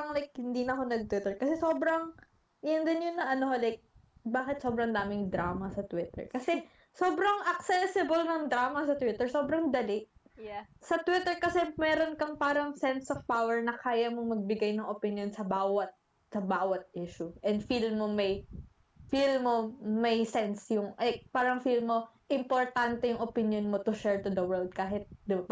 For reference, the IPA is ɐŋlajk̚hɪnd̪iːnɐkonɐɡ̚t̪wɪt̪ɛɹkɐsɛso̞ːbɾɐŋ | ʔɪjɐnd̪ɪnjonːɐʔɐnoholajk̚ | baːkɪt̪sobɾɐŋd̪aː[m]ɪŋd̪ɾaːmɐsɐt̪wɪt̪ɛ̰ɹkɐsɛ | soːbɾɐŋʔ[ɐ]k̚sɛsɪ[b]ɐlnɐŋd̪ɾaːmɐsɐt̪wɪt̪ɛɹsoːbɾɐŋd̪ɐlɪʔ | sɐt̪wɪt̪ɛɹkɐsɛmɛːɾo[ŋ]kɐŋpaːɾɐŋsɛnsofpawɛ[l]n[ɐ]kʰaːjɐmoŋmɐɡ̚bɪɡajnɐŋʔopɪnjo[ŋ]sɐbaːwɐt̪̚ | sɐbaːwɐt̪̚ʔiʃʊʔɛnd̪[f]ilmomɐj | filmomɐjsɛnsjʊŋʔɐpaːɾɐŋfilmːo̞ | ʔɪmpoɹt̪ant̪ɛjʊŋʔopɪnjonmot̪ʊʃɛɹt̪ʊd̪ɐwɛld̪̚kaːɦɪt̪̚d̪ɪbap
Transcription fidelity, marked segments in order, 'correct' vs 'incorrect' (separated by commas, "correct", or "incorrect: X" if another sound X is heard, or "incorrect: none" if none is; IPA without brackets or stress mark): correct, correct, correct, incorrect: n, incorrect: ɹ, correct, incorrect: n, correct